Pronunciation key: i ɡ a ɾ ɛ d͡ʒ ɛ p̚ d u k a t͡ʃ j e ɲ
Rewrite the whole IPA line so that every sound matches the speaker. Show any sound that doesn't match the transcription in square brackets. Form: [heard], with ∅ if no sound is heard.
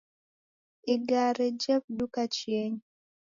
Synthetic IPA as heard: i ɡ a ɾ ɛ d͡ʒ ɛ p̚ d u k a t͡ʃ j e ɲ